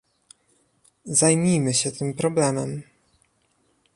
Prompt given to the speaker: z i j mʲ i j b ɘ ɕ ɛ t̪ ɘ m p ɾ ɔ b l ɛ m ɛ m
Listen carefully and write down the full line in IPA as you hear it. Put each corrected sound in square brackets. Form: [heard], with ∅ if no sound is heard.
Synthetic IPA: z [a] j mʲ i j [m] ɘ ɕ ɛ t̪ ɘ m p ɾ ɔ b l ɛ m ɛ m

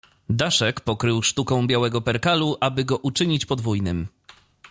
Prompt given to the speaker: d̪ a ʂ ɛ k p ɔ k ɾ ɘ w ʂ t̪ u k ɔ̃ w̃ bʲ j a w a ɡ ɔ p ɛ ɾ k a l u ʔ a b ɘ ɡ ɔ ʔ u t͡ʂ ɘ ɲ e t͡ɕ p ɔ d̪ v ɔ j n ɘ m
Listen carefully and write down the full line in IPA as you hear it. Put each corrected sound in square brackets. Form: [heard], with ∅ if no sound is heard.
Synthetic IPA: d̪ a ʂ ɛ k p ɔ k ɾ ɘ w ʂ t̪ u k ɔ̃ w̃ bʲ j a w [ɛ] ɡ ɔ p ɛ ɾ k a l u ʔ a b ɘ ɡ ɔ ʔ u t͡ʂ ɘ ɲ [i] t͡ɕ p ɔ d̪ v [u] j n ɘ m

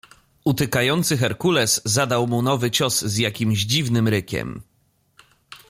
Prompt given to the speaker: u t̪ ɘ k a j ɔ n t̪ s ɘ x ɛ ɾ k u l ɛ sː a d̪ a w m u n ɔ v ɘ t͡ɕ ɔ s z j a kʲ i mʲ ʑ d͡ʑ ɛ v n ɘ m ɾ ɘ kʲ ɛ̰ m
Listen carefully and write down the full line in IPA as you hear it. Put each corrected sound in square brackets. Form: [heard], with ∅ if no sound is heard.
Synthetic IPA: u t̪ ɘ k a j ɔ n t̪ s ɘ x ɛ ɾ k u l ɛ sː a d̪ a w m u n ɔ v ɘ t͡ɕ ɔ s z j a kʲ i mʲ ʑ d͡ʑ [i] v n ɘ m ɾ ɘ kʲ ɛ̰ m

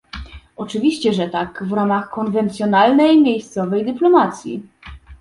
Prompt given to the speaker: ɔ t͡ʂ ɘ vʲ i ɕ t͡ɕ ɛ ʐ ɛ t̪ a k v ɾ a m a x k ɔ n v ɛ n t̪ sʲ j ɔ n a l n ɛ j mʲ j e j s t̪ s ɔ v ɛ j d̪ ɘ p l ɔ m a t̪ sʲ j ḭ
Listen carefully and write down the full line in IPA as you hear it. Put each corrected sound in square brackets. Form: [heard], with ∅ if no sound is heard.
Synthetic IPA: ɔ t͡ʂ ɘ vʲ i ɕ t͡ɕ ɛ ʐ ɛ t̪ a k v ɾ a m a x k ɔ n v ɛ n t̪ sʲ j ɔ n a l n ɛ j mʲ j e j s t̪ s ɔ v ɛ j d̪ ɘ p l ɔ m a t̪ sʲ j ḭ

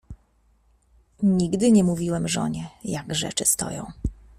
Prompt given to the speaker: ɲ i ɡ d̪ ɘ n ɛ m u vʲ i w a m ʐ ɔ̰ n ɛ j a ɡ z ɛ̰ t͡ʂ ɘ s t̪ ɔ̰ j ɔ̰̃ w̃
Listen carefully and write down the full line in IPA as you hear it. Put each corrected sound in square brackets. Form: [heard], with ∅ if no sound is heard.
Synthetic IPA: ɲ i ɡ d̪ ɘ [ɲ] ɛ m u vʲ i w [ɛ] m ʐ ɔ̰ [ɲ] ɛ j a ɡ [ʐ] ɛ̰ t͡ʂ ɘ s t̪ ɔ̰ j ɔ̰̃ w̃

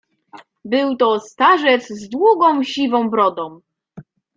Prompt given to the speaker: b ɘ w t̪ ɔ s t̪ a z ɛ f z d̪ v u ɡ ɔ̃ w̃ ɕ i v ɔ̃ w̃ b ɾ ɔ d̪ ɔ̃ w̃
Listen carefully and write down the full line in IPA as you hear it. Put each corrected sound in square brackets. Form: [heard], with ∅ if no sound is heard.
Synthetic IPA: b ɘ w t̪ ɔ s t̪ a [ʐ] ɛ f z d̪ [w] u ɡ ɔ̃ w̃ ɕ i v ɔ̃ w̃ b ɾ ɔ d̪ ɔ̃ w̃

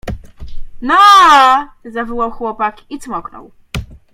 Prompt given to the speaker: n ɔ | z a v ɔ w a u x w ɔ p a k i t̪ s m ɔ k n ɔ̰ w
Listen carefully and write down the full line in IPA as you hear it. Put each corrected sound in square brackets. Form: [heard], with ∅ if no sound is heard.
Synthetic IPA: n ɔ | z a v ɔ w a [w] x w ɔ p a k i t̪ s m ɔ k n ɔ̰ w

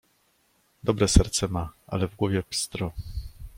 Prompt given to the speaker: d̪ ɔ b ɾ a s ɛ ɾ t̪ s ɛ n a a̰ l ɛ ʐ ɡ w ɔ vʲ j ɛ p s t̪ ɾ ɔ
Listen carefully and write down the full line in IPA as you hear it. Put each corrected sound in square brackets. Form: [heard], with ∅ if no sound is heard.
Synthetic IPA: d̪ ɔ b ɾ [ɛ] s ɛ ɾ t̪ s ɛ [m] a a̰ l ɛ [v] ɡ w ɔ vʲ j ɛ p s t̪ ɾ ɔ

